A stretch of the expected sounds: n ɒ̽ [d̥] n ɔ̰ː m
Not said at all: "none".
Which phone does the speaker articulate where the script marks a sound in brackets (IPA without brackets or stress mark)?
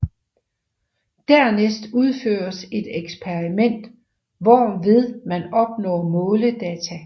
b̥